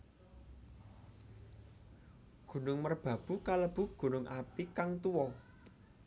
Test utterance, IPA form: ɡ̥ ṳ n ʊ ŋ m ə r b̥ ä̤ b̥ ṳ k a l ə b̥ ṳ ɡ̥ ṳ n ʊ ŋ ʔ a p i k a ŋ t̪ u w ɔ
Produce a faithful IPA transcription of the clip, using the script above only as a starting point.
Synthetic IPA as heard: ɡ̥ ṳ n ʊ ŋ m ə r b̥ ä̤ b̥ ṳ k a l ə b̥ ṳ ɡ̥ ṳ n ʊ ŋ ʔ a p i k a ŋ t̪ u w ɔ